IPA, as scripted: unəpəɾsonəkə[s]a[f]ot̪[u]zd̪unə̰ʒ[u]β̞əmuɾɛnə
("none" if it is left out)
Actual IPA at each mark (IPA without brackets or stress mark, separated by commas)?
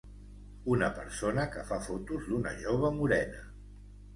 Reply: f, f, u, o